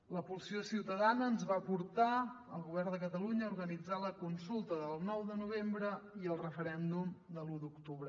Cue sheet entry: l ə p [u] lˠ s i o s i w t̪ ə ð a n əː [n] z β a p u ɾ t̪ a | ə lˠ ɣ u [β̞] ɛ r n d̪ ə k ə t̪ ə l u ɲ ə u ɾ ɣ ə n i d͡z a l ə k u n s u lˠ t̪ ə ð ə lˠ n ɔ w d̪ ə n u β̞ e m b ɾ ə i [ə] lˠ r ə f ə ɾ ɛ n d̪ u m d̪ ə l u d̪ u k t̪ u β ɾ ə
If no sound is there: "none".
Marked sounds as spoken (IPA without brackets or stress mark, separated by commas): u, n, β̞, ə